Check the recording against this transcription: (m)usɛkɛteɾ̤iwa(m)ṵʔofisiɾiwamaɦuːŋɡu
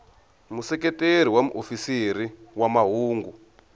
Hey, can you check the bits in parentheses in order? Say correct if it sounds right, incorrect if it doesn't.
correct, correct

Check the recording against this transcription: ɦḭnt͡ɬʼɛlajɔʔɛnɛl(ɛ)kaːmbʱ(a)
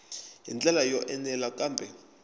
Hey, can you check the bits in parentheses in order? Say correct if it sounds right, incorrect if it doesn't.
incorrect, incorrect

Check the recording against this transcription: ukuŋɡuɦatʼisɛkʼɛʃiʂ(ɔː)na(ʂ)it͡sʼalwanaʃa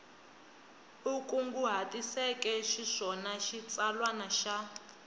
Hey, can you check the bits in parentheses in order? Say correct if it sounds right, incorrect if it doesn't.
incorrect, incorrect

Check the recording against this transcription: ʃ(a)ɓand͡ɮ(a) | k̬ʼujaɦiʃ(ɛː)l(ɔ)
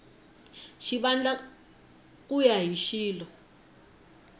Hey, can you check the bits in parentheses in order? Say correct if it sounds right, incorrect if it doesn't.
incorrect, correct, incorrect, correct

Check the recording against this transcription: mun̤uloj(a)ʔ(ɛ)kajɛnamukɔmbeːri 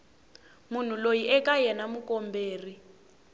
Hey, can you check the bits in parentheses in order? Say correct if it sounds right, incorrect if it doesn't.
incorrect, correct

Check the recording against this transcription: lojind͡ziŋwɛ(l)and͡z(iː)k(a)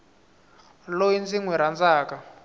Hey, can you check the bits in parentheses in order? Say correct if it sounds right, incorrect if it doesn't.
incorrect, incorrect, correct

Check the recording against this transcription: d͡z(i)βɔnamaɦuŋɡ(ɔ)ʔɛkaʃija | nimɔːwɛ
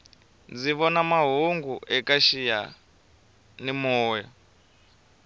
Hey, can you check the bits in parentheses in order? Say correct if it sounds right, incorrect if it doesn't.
correct, incorrect

